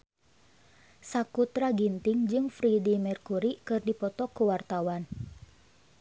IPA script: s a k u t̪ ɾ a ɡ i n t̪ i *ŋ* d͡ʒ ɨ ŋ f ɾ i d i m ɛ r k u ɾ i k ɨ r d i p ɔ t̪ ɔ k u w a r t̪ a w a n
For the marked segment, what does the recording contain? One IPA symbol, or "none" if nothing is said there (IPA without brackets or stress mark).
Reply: ŋ